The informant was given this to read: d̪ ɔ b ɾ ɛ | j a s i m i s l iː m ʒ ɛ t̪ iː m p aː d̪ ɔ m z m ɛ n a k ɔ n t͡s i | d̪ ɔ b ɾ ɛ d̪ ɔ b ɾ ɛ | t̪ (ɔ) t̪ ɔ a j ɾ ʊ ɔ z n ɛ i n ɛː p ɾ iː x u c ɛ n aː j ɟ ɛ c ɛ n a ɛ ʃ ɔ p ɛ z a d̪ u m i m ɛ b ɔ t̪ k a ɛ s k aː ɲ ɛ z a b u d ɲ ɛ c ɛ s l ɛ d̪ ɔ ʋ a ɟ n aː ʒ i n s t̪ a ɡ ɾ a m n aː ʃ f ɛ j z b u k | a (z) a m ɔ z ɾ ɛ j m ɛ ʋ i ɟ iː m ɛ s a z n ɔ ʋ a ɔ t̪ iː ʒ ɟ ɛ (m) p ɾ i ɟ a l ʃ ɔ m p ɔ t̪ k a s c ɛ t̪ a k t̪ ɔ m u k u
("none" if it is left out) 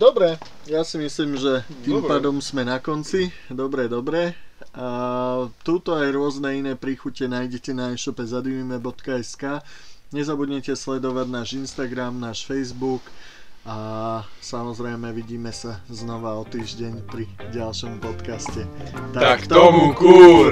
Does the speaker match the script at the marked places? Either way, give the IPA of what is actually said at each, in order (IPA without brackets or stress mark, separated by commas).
u, s, ɲ